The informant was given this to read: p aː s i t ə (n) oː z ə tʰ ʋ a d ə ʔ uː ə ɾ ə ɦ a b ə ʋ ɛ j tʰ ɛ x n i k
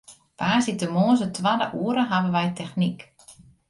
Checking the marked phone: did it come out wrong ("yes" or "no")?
yes